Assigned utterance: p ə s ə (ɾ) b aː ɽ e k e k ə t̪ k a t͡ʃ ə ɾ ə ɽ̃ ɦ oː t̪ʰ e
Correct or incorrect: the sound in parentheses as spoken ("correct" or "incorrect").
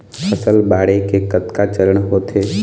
incorrect